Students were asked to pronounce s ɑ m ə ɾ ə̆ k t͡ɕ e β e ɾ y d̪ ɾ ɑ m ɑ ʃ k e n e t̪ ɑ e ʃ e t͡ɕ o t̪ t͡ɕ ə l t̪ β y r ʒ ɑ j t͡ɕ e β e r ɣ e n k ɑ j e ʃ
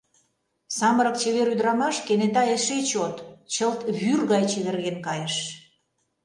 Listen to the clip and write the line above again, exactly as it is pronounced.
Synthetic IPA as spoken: s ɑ m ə ɾ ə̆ k t͡ɕ e β e ɾ y d̪ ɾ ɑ m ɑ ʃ k e n e t̪ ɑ e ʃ e t͡ɕ o t̪ t͡ɕ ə l t̪ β y r ɣ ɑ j t͡ɕ e β e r ɣ e n k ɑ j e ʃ